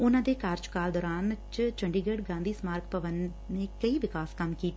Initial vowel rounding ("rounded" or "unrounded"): rounded